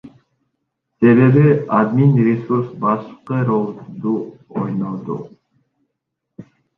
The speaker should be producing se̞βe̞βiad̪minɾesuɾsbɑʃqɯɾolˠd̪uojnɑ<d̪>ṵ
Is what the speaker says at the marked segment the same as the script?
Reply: yes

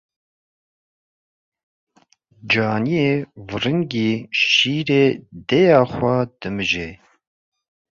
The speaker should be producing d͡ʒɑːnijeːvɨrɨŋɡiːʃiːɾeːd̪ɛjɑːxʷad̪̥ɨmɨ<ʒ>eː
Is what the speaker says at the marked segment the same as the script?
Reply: yes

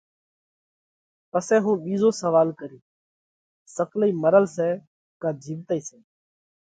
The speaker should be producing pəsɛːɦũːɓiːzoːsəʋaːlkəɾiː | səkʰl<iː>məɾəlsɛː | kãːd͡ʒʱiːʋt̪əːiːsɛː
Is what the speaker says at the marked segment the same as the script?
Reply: yes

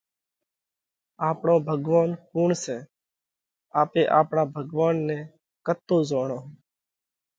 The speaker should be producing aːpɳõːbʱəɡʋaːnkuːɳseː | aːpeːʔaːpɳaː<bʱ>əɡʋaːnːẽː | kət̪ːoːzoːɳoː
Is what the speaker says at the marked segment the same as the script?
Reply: yes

